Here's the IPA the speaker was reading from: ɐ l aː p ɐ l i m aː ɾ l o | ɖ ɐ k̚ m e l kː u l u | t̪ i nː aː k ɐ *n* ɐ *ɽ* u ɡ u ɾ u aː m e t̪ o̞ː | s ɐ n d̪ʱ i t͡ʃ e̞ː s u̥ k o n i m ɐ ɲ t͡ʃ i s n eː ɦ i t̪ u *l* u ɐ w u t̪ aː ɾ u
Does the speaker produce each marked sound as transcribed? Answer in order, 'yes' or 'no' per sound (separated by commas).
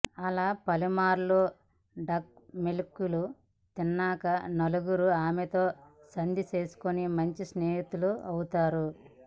yes, no, yes